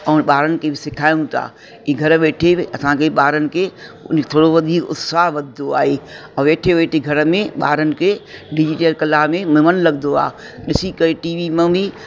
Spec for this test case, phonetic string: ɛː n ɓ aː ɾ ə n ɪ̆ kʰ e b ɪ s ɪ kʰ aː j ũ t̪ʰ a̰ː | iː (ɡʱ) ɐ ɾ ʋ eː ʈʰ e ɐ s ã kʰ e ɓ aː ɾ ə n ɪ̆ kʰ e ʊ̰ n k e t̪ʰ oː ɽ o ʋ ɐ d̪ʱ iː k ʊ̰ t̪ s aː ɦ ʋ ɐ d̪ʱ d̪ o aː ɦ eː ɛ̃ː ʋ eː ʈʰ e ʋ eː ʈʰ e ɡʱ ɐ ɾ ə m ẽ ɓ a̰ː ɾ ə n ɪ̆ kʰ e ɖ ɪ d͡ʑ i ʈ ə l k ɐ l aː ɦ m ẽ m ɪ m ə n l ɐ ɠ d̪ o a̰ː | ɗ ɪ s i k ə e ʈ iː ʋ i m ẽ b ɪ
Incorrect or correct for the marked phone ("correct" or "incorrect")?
correct